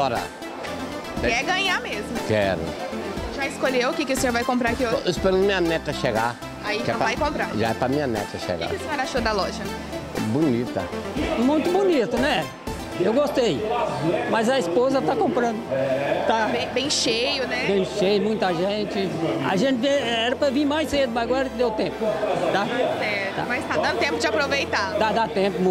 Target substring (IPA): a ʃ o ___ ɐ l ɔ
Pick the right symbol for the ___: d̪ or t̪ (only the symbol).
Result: d̪